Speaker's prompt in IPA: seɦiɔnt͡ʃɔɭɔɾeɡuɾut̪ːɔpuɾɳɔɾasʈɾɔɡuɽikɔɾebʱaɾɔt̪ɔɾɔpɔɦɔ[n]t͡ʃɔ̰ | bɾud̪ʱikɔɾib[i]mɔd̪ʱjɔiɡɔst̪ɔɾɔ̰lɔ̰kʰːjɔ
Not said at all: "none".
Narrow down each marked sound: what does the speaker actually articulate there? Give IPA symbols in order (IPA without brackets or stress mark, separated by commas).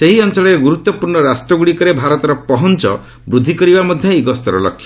n, a